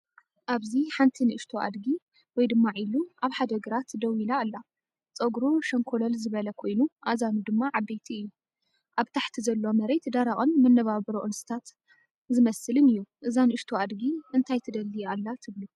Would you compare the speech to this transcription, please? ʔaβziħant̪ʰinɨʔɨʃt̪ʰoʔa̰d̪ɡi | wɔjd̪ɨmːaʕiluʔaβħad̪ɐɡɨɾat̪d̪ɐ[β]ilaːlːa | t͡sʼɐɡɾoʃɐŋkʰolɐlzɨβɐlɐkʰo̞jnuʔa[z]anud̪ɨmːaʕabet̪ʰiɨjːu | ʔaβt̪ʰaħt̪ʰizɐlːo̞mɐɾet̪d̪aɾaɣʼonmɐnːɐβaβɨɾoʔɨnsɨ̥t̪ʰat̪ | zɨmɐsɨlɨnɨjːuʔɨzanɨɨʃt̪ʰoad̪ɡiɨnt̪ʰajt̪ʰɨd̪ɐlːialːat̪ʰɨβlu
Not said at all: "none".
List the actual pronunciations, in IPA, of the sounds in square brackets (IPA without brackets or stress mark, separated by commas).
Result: w, z